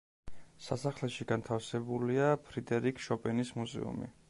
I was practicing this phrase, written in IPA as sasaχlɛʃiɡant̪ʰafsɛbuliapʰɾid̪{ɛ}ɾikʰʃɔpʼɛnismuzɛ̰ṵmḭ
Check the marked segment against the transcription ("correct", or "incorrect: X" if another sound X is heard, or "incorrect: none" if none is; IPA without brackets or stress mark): correct